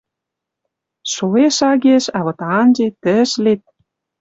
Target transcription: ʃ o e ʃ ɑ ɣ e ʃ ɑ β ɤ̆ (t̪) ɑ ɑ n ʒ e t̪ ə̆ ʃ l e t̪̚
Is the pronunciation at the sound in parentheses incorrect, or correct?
correct